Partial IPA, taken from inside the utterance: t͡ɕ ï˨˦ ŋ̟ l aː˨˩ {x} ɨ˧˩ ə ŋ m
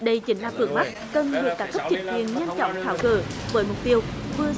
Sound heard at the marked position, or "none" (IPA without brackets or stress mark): f